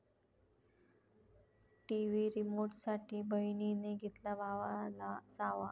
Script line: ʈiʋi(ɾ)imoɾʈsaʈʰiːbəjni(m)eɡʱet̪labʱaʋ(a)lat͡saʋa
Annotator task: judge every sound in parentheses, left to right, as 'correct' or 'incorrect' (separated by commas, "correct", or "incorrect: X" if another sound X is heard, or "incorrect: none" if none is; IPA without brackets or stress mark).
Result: correct, incorrect: n, correct